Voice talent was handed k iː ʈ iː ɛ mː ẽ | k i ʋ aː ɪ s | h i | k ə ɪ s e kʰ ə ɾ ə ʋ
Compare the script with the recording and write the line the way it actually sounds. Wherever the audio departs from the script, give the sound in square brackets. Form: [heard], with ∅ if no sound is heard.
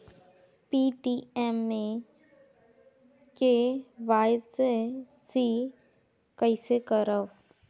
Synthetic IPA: [p] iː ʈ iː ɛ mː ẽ | k [e] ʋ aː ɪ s | [s] i | k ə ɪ s e [k] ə ɾ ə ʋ